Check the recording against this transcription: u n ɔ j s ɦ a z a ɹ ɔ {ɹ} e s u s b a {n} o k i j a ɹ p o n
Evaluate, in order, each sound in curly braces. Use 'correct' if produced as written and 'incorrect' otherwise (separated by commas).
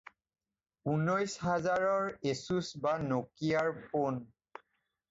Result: correct, correct